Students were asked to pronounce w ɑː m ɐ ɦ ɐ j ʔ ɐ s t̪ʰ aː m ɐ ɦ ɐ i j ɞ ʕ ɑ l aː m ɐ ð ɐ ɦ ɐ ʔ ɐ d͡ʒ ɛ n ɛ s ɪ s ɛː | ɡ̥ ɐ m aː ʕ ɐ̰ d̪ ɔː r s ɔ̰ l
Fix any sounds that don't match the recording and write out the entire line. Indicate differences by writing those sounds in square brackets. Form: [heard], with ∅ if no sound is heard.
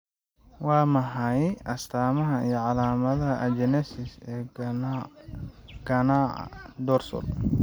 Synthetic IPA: w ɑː m ɐ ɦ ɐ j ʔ ɐ s t̪ʰ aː m ɐ ɦ ɐ i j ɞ ʕ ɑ l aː m ɐ ð ɐ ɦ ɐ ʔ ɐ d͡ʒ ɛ n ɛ s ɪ s ɛː | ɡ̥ ɐ [n] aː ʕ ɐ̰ d̪ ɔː r s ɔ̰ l